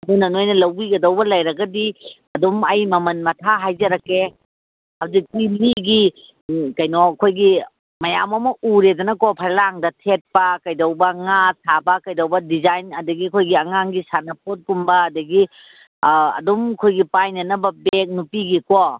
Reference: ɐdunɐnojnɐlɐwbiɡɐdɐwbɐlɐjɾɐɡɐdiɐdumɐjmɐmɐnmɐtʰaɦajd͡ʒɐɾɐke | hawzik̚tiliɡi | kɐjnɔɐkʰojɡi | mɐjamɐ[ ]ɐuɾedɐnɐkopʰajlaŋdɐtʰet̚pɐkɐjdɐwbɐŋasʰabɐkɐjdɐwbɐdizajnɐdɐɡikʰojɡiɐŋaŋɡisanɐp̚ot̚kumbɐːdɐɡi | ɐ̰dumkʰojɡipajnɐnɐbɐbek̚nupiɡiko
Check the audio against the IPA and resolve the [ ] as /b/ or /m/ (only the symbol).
m